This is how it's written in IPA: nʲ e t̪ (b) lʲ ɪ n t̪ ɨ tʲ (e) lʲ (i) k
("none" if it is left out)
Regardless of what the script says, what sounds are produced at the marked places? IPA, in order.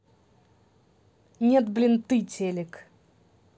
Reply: b, e, ɪ

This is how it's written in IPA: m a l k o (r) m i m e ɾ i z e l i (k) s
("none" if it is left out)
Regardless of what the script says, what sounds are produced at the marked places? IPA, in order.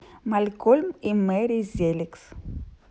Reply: l, k

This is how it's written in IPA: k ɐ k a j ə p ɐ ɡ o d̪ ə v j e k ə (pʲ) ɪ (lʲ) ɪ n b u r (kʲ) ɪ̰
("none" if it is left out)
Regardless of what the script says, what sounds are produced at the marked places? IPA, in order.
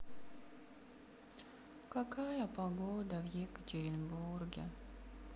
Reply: tʲ, ɾʲ, ɡʲ

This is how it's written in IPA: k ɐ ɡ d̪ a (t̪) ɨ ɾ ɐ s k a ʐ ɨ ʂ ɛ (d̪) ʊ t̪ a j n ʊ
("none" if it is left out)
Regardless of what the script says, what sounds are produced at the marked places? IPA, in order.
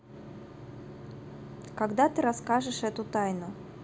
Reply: t̪, t̪

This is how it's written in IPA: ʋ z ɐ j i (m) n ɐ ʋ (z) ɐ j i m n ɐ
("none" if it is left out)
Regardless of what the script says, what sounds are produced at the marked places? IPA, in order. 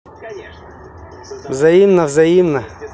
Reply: m, z

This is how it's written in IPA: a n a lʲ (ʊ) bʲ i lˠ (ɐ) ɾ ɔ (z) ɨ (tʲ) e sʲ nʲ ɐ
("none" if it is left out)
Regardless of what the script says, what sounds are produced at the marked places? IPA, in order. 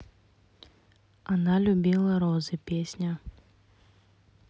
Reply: u, ɐ, z, pʲ

